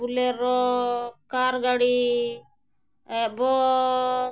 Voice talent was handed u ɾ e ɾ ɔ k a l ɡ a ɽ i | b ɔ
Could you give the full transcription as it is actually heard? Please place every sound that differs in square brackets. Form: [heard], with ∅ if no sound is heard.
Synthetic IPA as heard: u [l] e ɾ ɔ k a [ɾ] ɡ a ɽ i | b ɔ